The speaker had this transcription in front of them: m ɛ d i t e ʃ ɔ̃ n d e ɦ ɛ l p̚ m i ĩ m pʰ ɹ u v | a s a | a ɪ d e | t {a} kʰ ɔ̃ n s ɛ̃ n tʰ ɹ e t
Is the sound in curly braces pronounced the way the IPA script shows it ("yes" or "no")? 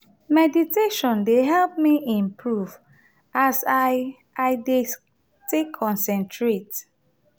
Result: no